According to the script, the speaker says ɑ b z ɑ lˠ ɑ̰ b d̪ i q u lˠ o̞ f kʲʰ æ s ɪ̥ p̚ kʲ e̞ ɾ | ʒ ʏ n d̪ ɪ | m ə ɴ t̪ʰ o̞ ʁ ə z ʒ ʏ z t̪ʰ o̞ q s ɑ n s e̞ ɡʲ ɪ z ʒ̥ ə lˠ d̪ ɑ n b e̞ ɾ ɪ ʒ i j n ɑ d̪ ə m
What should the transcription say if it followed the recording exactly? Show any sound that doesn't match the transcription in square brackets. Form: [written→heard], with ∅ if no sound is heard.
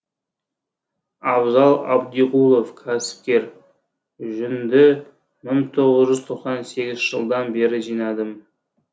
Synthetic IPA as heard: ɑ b z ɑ lˠ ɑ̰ b d̪ i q u lˠ o̞ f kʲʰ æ s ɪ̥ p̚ kʲ e̞ ɾ | ʒ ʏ n d̪ ɪ | m ə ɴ t̪ʰ o̞ ʁ ə z ʒ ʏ z t̪ʰ o̞ q s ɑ n s e̞ ɡʲ ɪ z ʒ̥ ə lˠ d̪ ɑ n b e̞ ɾ ɪ ʒ i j n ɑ d̪ ə m